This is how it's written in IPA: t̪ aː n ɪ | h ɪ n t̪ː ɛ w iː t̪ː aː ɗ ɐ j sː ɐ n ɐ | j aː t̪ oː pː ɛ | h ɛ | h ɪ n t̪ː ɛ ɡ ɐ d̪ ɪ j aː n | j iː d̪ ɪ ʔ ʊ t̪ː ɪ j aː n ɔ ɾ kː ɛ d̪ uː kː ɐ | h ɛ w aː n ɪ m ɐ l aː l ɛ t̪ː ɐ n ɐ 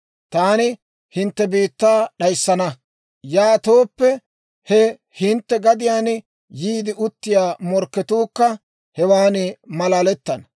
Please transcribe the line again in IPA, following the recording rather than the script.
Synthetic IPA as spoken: t̪ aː n ɪ | h ɪ n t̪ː ɛ b iː t̪ː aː ɗ ɐ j sː ɐ n ɐ | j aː t̪ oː pː ɛ | h ɛ | h ɪ n t̪ː ɛ ɡ ɐ d̪ ɪ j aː n | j iː d̪ ɪ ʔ ʊ t̪ː ɪ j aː m ɔ ɾ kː ɛ t̪ uː kː ɐ | h ɛ w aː n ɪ m ɐ l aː l ɛ t̪ː ɐ n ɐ